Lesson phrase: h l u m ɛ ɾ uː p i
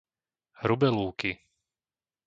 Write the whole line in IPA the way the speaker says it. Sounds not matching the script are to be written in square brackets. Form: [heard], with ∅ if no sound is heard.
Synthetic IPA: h [ɾ] u [b] ɛ [l] uː [k] i

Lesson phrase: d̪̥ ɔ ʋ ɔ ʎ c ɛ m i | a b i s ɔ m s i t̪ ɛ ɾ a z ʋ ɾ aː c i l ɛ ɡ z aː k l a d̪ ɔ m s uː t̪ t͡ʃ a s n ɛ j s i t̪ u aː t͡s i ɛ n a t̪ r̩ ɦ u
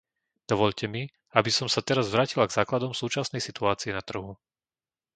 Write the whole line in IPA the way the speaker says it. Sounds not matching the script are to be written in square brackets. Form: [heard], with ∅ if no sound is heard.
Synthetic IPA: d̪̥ ɔ ʋ ɔ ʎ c ɛ m i | a b i s ɔ m s [a] t̪ ɛ ɾ a z ʋ ɾ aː c i l [a] ɡ z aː k l a d̪ ɔ m s uː [∅] t͡ʃ a s n ɛ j s i t̪ u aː t͡s i ɛ n a t̪ r̩ ɦ u

